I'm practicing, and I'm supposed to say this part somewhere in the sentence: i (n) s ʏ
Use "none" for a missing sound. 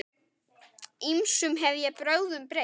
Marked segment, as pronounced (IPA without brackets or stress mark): m